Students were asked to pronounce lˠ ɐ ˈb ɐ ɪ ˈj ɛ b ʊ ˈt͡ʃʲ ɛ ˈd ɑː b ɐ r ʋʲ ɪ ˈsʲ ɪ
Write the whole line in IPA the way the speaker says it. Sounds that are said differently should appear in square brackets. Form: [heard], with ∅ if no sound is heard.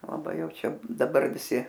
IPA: lˠ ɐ ˈb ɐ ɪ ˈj ɛ [∅] ʊ ˈt͡ʃʲ ɛ ˈd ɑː b ɐ r ʋʲ ɪ ˈsʲ ɪ